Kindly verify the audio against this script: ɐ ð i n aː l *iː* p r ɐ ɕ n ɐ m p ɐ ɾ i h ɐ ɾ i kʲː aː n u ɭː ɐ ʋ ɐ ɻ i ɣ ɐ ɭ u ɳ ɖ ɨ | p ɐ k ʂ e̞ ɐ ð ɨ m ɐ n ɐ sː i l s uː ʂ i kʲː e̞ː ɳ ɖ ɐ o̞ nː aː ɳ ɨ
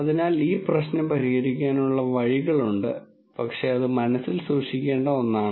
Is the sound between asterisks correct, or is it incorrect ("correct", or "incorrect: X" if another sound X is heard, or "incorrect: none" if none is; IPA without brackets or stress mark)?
correct